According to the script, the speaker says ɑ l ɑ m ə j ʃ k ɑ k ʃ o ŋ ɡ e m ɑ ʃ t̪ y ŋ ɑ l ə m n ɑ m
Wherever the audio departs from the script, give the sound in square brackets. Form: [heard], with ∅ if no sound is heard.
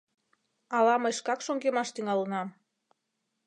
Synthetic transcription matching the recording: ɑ l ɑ m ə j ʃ k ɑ k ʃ o ŋ ɡ e m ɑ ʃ t̪ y ŋ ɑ l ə [∅] n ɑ m